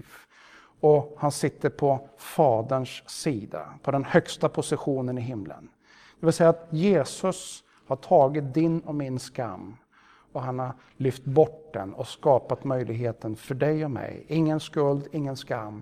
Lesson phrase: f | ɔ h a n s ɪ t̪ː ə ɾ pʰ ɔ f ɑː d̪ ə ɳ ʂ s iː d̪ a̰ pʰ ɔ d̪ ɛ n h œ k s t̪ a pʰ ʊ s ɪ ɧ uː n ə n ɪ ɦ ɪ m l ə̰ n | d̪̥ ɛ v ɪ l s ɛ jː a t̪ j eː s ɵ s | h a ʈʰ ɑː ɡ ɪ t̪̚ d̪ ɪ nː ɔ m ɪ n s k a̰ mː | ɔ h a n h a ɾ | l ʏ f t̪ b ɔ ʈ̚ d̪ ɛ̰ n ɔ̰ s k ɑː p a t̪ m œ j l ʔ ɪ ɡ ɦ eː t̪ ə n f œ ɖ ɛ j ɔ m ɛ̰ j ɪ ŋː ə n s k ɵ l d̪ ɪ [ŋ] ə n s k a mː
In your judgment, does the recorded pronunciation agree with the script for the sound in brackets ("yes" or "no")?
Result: no